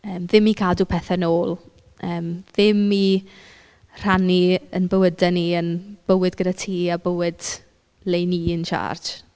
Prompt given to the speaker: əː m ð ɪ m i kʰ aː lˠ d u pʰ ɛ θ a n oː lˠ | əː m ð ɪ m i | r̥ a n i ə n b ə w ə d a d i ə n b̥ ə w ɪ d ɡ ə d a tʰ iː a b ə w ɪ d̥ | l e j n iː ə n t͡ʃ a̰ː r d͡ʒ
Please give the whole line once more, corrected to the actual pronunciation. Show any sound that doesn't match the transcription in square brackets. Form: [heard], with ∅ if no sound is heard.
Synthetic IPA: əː m ð ɪ m i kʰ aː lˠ d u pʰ ɛ θ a n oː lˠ | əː m ð ɪ m i | r̥ a n i ə n b ə w ə d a [n] i ə n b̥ ə w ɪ d ɡ ə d a tʰ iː a b ə w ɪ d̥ | l e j n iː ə n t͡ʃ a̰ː r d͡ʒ